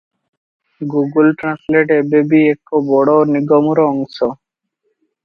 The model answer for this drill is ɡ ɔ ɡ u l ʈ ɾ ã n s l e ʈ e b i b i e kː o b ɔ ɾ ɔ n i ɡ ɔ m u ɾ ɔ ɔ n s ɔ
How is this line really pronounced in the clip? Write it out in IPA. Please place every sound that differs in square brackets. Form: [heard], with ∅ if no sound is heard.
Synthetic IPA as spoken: ɡ [u] ɡ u l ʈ ɾ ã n s l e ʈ e b [e] b i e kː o b ɔ [ɽ] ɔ n i ɡ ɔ m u ɾ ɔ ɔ [ŋ] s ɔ